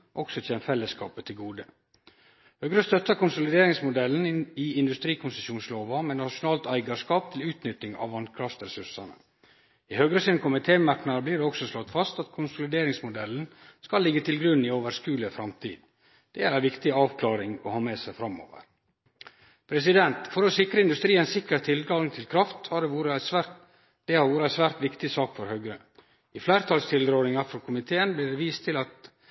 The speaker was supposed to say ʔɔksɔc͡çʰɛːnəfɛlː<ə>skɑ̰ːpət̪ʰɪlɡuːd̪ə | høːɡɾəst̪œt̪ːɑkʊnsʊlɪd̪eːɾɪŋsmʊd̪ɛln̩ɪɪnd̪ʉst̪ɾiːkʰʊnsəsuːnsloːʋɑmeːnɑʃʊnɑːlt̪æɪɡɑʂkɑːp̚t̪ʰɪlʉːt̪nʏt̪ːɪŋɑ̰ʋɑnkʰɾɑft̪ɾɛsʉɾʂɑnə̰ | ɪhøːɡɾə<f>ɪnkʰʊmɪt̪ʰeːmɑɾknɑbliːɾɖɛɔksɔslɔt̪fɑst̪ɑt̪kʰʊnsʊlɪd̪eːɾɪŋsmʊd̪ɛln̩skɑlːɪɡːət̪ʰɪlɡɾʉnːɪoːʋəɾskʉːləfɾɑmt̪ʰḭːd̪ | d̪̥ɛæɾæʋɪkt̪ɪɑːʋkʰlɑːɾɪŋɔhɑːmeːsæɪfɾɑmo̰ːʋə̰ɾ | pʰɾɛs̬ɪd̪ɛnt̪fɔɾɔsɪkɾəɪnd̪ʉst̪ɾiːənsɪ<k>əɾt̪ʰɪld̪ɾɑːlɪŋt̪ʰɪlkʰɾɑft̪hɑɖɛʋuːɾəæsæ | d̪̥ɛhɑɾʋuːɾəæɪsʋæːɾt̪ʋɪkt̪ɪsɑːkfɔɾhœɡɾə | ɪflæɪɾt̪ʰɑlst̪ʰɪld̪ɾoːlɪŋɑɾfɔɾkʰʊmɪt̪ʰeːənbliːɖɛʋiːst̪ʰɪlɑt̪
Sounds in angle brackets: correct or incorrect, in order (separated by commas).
correct, incorrect, correct